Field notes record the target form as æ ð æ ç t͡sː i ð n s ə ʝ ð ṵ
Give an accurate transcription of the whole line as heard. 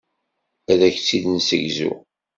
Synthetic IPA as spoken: æ ð æ ç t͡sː i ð n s ə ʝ z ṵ